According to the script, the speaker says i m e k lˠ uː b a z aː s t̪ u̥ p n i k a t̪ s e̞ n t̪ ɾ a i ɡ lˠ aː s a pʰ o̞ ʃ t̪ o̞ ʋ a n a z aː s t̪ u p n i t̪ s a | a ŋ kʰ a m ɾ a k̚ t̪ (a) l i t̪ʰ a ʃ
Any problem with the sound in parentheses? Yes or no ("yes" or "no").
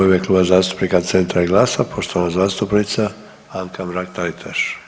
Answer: no